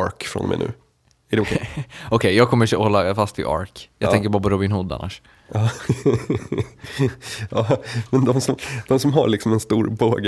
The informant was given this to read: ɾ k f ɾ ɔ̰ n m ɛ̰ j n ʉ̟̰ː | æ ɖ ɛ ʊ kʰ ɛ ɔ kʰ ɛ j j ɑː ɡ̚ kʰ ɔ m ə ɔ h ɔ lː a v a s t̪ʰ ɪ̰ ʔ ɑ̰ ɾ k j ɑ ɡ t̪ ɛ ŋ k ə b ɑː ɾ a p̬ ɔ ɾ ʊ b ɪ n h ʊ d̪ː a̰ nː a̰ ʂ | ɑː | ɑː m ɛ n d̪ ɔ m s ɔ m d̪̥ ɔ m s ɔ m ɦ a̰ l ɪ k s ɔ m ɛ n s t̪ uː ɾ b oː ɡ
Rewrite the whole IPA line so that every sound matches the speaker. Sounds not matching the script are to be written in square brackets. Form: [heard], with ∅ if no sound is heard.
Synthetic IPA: ɾ k f ɾ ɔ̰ n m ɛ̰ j n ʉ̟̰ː | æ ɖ ɛ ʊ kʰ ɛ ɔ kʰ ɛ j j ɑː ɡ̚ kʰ ɔ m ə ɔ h ɔ lː a [f] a s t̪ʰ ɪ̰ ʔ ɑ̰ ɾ k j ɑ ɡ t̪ ɛ ŋ k ə b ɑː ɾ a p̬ ɔ ɾ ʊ b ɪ n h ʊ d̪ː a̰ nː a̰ ʂ | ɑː | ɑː m ɛ n d̪ ɔ m s ɔ m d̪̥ ɔ m s ɔ m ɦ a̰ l ɪ k s ɔ m ɛ n s t̪ uː ɾ b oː ɡ